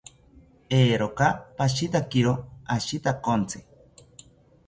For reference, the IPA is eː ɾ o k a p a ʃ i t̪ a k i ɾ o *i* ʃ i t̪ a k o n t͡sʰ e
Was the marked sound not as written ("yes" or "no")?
yes